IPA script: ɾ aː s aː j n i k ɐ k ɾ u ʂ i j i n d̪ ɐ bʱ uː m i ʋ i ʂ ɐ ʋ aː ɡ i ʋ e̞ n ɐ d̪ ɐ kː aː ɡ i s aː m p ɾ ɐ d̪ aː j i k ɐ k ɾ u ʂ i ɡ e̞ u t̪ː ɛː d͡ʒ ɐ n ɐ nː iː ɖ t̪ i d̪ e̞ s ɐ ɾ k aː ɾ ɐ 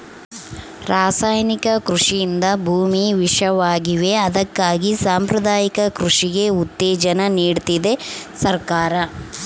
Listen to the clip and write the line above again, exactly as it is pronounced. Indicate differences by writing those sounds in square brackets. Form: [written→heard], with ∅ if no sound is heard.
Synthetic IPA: ɾ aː s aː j n i k ɐ k ɾ u ʂ i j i n d̪ ɐ bʱ uː m i ʋ i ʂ ɐ ʋ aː ɡ i ʋ e̞ [n→∅] ɐ d̪ ɐ kː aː ɡ i s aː m p ɾ ɐ d̪ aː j i k ɐ k ɾ u ʂ i ɡ e̞ u t̪ː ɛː d͡ʒ ɐ n ɐ [nː→n] iː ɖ t̪ i d̪ e̞ s ɐ ɾ k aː ɾ ɐ